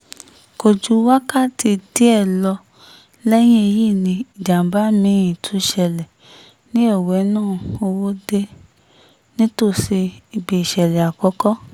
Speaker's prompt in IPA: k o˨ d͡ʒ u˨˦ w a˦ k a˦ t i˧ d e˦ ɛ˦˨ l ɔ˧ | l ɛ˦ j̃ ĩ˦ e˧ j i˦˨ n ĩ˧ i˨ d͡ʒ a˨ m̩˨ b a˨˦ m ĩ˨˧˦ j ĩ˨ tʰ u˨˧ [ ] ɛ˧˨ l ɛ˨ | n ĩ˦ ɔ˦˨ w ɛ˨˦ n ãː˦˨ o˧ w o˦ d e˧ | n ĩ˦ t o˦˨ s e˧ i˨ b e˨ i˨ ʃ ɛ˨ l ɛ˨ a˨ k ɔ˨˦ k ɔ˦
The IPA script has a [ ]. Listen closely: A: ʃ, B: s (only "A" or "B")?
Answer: A